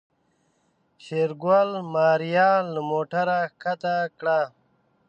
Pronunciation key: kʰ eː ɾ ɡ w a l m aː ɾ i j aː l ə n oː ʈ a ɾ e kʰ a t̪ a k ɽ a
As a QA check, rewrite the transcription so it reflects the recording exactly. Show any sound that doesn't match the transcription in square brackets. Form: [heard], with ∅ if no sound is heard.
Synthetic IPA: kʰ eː ɾ ɡ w a l m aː ɾ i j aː l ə [m] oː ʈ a ɾ [a] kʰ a t̪ a k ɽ a